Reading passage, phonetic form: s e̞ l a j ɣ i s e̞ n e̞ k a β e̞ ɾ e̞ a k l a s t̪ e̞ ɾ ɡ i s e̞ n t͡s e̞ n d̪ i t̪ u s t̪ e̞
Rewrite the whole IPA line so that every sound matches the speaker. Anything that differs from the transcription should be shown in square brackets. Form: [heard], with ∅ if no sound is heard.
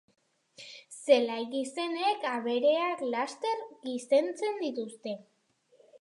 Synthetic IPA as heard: s e̞ l a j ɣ i s e̞ n e̞ k a β e̞ ɾ e̞ a k l a s t̪ e̞ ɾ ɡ i s e̞ n t͡s e̞ n d̪ i t̪ u s t̪ e̞